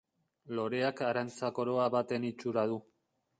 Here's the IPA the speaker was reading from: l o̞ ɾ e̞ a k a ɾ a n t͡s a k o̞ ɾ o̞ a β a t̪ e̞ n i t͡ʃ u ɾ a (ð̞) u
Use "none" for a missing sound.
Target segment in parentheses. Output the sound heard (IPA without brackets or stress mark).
ð̞